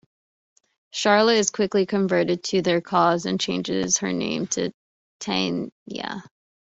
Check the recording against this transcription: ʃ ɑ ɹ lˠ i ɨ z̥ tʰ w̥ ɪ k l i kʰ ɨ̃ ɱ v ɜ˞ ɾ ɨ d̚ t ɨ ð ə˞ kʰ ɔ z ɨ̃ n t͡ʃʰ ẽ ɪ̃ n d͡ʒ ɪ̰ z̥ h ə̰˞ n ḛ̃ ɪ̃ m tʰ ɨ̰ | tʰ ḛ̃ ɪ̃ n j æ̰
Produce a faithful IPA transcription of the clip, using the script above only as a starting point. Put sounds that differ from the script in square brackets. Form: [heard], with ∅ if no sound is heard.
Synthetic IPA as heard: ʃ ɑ ɹ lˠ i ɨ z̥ [kʰ] w̥ ɪ k l i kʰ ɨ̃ ɱ v ɜ˞ ɾ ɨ d̚ [tʰ] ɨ ð ə˞ kʰ ɔ z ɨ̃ n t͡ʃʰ ẽ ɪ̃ n d͡ʒ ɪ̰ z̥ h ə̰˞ n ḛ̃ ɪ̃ m tʰ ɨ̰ | tʰ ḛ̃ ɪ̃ n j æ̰